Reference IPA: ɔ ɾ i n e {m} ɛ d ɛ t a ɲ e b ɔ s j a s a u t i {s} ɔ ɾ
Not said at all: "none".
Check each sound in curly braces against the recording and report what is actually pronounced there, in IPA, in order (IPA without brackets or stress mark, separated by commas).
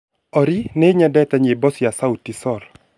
ɲ, s